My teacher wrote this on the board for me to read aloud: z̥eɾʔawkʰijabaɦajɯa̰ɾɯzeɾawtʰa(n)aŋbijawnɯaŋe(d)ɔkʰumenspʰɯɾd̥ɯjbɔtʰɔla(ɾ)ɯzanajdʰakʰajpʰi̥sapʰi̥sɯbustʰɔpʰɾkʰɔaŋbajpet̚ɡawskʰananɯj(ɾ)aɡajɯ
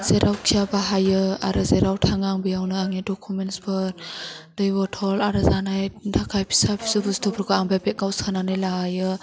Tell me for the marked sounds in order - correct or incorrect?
incorrect, correct, correct, incorrect

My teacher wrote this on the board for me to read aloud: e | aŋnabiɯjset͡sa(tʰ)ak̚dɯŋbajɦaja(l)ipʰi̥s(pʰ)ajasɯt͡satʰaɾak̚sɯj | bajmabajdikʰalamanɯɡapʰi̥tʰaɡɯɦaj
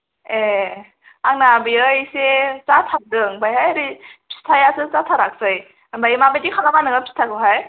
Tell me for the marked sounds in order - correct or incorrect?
correct, incorrect, incorrect

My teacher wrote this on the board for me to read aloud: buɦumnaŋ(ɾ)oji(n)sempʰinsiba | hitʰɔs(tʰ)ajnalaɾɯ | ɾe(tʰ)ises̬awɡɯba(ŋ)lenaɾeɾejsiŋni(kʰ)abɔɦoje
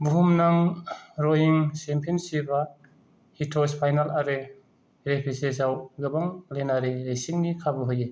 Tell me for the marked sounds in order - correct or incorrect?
correct, incorrect, incorrect, incorrect, correct, correct

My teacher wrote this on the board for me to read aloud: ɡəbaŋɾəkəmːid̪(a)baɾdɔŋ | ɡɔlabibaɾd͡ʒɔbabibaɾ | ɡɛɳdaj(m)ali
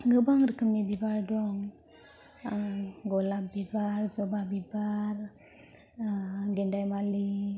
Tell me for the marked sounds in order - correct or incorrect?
incorrect, correct

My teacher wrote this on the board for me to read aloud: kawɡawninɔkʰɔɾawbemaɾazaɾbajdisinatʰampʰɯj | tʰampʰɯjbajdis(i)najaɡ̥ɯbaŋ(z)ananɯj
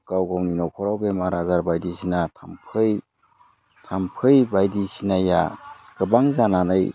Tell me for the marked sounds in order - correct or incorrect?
correct, correct

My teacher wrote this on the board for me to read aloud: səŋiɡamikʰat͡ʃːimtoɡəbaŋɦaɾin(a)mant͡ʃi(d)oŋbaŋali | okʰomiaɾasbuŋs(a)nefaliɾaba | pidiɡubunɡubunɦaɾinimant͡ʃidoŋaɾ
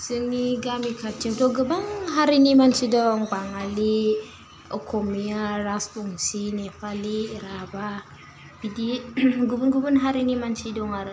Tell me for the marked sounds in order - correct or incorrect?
incorrect, correct, incorrect

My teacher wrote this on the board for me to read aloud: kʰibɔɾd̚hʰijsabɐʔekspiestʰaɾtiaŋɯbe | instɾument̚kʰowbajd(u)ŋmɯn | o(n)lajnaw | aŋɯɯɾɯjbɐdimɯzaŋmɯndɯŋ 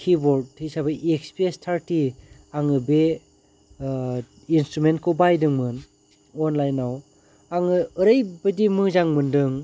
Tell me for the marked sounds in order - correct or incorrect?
incorrect, correct

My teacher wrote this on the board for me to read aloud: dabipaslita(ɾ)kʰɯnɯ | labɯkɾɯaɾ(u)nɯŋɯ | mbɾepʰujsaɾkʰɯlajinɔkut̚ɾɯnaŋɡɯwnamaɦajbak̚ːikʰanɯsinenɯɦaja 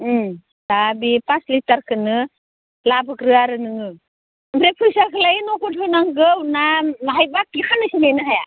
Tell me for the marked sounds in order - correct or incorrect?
correct, incorrect

